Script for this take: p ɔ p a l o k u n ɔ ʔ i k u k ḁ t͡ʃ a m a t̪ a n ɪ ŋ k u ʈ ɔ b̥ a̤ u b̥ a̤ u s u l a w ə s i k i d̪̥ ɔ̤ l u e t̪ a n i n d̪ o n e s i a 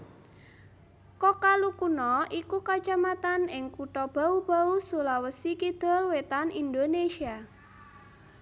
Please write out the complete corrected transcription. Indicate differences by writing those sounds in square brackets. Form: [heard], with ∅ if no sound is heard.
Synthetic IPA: [k] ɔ [k] a l [u] k u n ɔ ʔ i k u k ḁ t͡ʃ a m a t̪ a n ɪ ŋ k u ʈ ɔ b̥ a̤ u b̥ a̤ u s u l a w ə s i k i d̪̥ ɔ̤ l [w] e t̪ a n i n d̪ o n e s i a